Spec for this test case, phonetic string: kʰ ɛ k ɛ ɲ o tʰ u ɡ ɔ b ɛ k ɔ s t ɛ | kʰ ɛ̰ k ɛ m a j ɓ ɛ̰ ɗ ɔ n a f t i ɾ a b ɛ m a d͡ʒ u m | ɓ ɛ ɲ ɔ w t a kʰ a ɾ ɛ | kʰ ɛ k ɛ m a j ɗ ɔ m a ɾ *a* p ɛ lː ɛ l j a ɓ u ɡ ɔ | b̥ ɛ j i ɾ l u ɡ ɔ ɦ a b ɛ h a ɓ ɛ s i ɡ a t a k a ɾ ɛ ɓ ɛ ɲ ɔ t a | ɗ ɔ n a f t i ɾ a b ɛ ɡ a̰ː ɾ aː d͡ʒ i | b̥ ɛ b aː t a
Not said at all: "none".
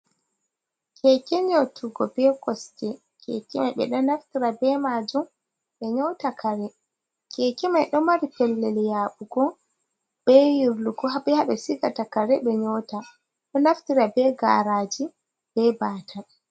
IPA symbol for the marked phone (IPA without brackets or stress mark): i